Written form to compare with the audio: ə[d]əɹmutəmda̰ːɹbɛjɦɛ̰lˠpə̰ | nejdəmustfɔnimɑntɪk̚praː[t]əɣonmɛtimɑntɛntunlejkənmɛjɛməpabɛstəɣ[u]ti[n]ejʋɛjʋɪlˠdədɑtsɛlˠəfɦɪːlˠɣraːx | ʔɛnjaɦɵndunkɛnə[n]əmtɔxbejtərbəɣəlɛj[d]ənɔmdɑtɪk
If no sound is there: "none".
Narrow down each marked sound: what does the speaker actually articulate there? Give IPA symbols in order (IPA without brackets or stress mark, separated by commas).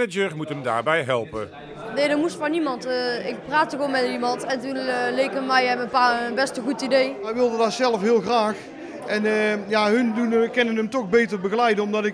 d͡ʒ, t, u, d, n, d